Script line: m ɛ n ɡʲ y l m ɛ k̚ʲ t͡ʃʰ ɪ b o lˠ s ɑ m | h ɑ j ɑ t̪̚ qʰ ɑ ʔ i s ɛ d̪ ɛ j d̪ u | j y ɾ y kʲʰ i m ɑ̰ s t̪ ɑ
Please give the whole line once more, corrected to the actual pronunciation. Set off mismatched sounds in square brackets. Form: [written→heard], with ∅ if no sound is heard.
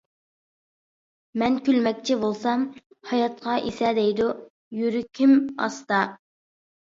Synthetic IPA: m ɛ n [ɡʲ→kʲ] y l m ɛ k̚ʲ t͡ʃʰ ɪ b o lˠ s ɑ m | h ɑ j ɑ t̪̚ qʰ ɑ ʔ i s ɛ d̪ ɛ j d̪ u | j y ɾ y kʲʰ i m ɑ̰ s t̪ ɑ